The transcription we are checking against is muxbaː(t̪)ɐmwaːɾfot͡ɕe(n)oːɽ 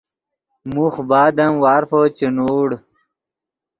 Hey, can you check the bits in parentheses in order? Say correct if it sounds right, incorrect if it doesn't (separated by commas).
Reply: incorrect, correct